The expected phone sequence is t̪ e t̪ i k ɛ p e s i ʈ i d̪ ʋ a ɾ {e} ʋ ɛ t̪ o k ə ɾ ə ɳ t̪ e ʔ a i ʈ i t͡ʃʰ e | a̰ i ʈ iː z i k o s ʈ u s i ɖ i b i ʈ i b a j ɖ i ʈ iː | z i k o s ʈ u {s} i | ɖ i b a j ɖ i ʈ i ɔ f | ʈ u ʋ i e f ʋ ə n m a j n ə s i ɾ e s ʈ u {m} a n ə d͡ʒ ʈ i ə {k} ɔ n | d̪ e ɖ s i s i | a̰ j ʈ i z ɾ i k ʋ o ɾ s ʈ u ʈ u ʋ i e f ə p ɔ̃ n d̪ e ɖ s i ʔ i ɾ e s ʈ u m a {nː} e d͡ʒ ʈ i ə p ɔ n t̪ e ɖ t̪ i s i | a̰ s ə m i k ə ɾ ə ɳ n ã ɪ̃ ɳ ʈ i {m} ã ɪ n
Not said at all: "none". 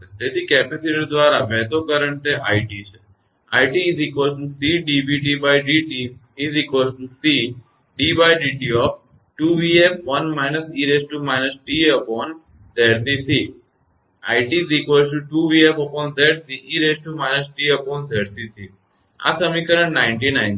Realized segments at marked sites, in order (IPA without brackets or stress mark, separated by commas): a, s, m, p, n, n